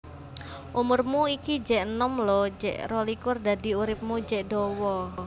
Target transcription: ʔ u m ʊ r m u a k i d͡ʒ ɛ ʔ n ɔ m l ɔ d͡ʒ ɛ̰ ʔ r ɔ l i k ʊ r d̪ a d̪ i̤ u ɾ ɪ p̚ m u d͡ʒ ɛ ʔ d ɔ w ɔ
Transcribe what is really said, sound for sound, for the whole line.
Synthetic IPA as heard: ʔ u m ʊ r m u i k i d͡ʒ ɛ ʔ n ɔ m l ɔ d͡ʒ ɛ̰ ʔ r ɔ l i k ʊ r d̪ a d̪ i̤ u ɾ ɪ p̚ m u d͡ʒ ɛ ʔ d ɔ w ɔ